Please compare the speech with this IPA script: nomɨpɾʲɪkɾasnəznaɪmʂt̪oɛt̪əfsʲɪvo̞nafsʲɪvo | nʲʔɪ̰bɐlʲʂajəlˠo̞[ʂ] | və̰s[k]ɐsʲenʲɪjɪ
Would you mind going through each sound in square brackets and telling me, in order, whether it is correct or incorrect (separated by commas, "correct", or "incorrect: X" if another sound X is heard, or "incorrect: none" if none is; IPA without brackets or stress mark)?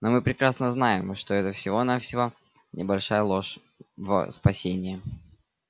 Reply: correct, incorrect: p